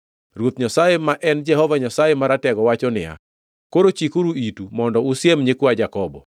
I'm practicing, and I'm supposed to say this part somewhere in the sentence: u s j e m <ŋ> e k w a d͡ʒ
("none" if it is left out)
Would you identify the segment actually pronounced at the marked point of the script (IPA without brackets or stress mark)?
ɲ